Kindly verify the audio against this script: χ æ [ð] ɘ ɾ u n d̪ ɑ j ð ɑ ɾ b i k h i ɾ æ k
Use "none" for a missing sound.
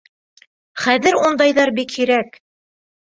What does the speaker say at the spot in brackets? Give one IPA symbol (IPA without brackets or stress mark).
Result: ð